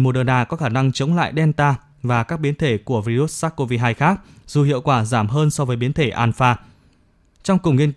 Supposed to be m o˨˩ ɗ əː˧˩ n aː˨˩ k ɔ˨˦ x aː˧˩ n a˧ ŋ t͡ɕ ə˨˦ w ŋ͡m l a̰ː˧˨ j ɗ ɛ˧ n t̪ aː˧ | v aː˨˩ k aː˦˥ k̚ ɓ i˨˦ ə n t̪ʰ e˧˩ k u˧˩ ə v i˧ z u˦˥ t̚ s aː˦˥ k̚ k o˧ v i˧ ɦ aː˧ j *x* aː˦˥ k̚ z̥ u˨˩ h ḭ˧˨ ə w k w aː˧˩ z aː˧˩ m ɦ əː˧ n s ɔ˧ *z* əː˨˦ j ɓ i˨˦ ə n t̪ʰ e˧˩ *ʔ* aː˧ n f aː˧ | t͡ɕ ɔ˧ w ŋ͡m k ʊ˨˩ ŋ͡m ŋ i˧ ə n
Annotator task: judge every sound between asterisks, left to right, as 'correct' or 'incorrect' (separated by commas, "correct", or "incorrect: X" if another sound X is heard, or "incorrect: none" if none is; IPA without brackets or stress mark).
correct, incorrect: v, correct